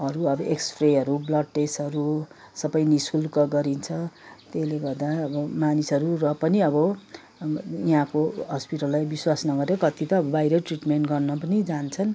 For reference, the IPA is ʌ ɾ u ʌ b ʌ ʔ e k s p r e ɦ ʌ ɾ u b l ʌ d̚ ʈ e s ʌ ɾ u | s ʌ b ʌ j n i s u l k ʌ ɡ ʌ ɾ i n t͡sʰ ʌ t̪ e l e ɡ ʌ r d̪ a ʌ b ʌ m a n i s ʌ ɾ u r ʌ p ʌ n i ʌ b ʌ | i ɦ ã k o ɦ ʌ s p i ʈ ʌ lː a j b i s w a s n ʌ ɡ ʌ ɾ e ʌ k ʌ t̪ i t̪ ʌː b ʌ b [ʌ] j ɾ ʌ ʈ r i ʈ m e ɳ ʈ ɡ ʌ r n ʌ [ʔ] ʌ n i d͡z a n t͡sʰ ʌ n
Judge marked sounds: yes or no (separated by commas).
no, no